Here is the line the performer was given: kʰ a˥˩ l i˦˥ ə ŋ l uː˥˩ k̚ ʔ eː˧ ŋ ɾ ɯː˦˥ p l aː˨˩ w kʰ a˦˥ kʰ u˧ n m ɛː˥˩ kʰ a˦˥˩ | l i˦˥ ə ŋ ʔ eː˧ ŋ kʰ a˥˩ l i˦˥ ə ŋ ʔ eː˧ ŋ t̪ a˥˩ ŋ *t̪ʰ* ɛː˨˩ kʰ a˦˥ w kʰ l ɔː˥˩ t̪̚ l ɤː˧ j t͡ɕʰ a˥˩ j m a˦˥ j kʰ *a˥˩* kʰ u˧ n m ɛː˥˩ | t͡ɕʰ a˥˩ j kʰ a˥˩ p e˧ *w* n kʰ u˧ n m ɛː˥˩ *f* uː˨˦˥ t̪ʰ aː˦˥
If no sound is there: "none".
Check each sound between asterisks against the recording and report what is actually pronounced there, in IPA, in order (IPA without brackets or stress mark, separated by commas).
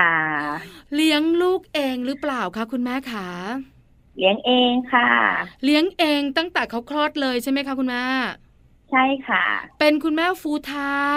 t̪, a˦˥, none, f